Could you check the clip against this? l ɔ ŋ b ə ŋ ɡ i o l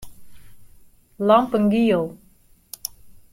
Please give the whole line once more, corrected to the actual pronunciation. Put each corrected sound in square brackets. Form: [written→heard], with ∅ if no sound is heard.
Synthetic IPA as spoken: l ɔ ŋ [b→p] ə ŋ ɡ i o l